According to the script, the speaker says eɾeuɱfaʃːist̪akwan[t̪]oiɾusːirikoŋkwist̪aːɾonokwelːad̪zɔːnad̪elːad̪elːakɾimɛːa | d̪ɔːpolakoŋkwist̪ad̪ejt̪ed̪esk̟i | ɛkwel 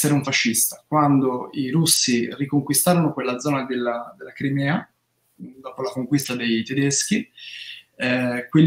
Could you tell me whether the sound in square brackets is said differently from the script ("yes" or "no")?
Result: yes